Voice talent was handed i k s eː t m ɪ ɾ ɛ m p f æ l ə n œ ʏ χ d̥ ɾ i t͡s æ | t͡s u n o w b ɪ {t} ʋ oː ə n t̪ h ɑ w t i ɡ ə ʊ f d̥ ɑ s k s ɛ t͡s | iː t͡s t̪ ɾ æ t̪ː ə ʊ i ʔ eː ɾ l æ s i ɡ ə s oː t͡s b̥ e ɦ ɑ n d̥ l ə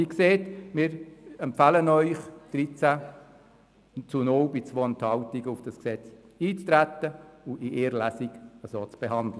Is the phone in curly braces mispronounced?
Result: yes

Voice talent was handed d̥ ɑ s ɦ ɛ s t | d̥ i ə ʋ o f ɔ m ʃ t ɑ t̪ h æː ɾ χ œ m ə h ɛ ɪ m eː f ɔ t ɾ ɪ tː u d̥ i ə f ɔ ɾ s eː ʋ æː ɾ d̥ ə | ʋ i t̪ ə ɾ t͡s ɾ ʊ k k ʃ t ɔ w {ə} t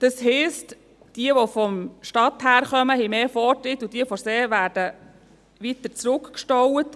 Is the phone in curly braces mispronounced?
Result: no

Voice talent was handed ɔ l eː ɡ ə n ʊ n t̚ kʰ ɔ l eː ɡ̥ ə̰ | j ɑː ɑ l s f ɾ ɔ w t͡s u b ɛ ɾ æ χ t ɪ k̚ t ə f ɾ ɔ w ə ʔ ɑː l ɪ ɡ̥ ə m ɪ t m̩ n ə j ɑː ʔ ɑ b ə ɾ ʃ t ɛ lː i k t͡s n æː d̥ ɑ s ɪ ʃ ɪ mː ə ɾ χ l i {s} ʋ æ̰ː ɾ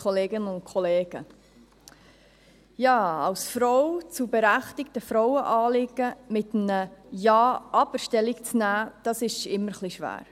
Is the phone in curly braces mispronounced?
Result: yes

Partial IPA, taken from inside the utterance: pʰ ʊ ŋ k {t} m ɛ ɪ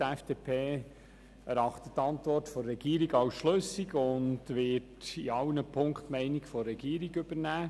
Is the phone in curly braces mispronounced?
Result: no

